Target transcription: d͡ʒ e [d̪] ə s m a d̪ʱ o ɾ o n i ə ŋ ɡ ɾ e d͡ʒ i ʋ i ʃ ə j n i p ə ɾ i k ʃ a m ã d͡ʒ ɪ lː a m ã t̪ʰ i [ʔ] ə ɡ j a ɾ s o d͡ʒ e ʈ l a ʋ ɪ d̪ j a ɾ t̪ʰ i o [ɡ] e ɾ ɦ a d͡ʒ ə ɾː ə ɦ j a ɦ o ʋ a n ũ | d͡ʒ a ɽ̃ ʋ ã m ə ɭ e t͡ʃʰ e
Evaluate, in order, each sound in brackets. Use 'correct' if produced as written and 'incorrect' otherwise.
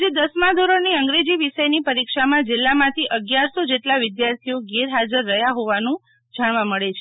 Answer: correct, correct, correct

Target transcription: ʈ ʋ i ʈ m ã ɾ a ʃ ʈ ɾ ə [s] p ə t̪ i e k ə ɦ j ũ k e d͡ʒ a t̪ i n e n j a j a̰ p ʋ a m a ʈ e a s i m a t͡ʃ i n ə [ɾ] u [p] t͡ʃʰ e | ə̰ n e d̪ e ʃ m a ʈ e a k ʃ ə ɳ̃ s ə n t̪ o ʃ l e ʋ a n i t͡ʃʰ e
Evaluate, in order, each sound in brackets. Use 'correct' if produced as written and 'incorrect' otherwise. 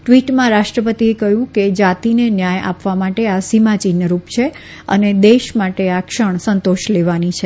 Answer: incorrect: none, correct, correct

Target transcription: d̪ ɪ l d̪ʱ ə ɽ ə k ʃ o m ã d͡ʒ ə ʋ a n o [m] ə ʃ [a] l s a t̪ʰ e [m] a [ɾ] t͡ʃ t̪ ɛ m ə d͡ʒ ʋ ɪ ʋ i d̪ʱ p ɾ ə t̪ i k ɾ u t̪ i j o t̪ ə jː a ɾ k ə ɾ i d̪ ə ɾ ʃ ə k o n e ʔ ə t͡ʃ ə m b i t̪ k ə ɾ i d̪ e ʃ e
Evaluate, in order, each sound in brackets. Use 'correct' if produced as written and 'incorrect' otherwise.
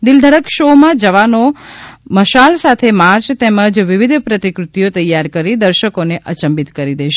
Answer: correct, correct, correct, correct

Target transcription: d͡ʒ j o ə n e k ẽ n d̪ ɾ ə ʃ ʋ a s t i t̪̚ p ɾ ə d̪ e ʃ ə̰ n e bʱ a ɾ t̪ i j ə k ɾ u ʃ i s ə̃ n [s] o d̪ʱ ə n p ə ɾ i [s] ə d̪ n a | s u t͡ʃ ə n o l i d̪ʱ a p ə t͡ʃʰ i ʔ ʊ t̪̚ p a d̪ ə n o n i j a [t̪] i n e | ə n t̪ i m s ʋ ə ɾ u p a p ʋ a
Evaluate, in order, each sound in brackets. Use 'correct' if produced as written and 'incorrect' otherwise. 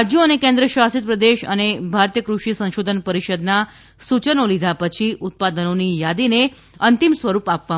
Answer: incorrect: ʃ, incorrect: ʃ, incorrect: d̪

